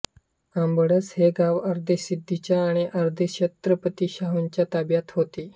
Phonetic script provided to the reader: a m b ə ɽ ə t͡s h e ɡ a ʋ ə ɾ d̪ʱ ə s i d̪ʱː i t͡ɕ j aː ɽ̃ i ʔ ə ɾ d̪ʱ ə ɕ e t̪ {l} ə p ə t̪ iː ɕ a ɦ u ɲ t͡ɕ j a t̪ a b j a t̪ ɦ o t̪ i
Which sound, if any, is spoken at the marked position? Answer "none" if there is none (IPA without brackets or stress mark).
ɾ